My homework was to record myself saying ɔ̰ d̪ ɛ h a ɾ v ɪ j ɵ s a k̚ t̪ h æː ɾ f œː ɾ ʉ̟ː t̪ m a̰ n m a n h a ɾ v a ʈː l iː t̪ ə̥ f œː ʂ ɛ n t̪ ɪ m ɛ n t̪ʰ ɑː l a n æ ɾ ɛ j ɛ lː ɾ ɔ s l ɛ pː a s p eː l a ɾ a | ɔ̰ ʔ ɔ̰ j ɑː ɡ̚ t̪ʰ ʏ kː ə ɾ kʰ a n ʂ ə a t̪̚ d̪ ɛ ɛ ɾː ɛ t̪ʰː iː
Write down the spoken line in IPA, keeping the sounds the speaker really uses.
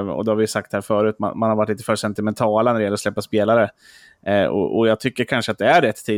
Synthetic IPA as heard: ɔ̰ d̪ ɛ h a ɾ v ɪ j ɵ s a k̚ t̪ h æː ɾ f œː ɾ ʉ̟ː t̪ m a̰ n m a n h a ɾ v a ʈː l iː t̪ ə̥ f œː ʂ ɛ n t̪ ɪ m ɛ n t̪ʰ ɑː l a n æ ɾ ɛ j ɛ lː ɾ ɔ s l ɛ pː a s p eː l a ɾ ə | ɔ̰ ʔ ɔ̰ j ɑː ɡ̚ t̪ʰ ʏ kː ə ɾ kʰ a n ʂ ə a t̪̚ d̪ ɛ æ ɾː ɛ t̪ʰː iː